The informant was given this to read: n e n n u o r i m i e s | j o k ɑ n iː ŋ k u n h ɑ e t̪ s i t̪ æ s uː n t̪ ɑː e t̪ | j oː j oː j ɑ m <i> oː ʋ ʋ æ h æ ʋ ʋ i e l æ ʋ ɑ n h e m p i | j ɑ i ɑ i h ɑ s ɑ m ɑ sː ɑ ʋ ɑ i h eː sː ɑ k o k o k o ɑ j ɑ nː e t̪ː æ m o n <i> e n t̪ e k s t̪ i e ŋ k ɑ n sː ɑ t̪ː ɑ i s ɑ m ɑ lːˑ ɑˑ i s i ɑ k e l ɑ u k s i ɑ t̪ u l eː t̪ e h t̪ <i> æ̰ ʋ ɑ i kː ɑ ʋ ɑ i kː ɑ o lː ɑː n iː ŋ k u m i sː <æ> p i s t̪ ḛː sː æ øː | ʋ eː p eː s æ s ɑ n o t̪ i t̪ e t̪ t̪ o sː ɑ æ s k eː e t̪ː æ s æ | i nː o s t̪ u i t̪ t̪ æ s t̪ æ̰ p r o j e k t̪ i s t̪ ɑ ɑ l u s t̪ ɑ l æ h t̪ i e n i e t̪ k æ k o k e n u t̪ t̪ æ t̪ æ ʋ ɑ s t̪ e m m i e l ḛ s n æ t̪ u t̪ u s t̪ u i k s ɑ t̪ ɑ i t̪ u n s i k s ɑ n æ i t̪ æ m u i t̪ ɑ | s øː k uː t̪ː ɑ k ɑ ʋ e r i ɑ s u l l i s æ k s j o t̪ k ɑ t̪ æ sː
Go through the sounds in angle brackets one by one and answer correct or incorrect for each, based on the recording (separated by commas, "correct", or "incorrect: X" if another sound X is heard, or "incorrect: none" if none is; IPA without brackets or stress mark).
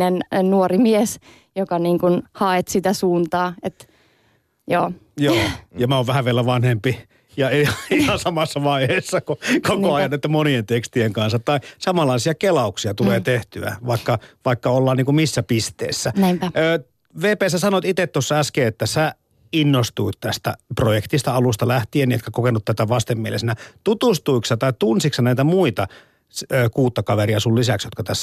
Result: incorrect: æ, correct, incorrect: y, correct